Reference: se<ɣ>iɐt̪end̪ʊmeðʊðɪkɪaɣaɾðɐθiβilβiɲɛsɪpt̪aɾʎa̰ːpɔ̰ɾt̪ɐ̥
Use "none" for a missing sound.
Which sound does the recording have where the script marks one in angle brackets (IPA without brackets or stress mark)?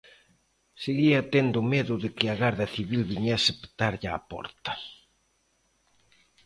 ɣ